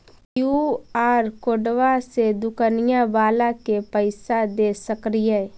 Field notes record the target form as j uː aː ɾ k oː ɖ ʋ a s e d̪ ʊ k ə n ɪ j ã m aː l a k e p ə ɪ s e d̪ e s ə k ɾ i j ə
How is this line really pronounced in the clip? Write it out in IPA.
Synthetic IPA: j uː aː ɾ k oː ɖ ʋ a s e d̪ ʊ k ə n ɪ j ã b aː l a k e p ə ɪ s a d̪ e s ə k ɾ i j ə